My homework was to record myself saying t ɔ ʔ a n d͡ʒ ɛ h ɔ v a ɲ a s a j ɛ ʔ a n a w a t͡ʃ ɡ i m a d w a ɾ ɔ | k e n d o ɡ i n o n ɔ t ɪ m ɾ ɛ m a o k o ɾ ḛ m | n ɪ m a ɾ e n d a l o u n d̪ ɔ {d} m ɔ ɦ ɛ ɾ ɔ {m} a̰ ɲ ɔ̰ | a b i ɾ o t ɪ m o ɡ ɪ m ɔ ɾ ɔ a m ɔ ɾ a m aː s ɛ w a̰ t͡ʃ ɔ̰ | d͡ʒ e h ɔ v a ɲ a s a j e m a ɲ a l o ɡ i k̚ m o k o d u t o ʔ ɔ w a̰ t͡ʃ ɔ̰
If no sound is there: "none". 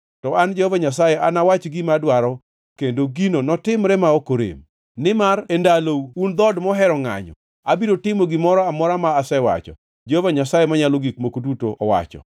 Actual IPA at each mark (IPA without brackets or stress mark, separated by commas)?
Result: d, ŋ